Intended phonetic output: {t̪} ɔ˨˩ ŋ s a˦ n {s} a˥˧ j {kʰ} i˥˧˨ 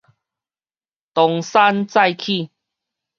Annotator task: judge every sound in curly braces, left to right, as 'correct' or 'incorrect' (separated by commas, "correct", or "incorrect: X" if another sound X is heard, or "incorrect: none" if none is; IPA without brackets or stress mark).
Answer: correct, incorrect: t͡s, correct